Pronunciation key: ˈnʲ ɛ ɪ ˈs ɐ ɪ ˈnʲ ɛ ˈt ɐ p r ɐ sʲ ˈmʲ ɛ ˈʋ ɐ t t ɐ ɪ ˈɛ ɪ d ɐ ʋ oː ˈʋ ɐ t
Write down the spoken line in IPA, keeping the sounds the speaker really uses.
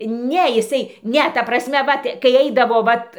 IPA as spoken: ˈnʲ ɛ ɪ ˈs ɐ ɪ ˈnʲ ɛ ˈt ɐ p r ɐ sʲ ˈmʲ ɛ ˈʋ ɐ t k ɐ ɪ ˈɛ ɪ d ɐ ʋ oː ˈʋ ɐ t